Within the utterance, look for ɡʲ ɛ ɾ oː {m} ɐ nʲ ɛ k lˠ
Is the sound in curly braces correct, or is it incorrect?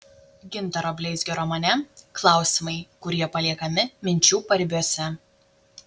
correct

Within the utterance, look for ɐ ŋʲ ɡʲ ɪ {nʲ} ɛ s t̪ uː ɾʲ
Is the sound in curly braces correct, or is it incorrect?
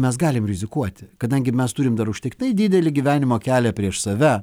incorrect: mʲ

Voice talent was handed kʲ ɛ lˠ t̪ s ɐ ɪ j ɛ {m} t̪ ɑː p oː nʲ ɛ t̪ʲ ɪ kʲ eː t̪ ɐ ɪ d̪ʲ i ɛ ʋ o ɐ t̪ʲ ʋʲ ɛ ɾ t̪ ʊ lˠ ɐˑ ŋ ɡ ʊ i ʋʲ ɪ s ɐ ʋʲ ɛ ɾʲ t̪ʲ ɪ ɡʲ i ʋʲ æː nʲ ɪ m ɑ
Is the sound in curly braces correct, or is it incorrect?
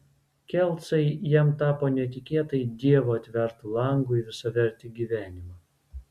correct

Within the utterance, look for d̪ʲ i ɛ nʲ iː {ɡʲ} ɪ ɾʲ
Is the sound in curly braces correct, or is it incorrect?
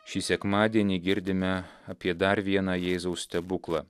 correct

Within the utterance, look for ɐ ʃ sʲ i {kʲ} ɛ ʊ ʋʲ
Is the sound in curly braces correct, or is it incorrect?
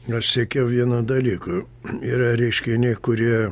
correct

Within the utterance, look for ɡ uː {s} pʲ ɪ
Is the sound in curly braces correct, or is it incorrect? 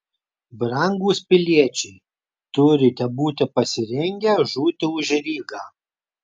correct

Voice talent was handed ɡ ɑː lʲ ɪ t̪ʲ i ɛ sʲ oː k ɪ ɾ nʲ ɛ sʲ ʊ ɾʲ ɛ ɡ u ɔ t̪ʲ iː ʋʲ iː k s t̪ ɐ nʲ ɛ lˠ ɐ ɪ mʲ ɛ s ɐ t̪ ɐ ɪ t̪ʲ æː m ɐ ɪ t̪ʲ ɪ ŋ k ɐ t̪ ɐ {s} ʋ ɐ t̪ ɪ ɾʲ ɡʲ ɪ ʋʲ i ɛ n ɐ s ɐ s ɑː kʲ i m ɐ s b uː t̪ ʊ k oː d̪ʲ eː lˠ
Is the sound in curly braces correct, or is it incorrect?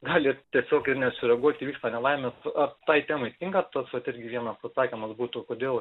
correct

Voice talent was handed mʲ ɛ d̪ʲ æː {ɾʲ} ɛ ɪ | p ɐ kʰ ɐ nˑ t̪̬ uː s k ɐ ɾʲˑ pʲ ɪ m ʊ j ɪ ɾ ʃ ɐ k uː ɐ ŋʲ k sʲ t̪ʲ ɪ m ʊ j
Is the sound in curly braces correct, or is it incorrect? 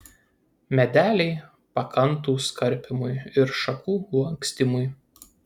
incorrect: lʲ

